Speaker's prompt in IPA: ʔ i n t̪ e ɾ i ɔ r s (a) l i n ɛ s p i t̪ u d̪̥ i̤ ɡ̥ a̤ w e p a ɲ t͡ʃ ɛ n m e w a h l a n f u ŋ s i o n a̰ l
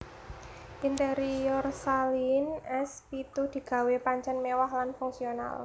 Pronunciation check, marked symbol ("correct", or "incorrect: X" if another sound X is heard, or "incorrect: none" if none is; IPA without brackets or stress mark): correct